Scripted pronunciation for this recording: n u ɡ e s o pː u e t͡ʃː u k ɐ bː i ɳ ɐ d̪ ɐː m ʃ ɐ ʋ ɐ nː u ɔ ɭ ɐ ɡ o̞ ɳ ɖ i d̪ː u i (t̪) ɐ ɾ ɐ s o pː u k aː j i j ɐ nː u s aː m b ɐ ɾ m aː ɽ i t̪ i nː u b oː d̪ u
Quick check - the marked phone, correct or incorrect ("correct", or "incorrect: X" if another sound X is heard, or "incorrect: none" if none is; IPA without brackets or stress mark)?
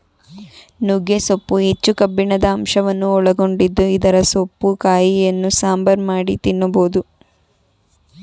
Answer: incorrect: d̪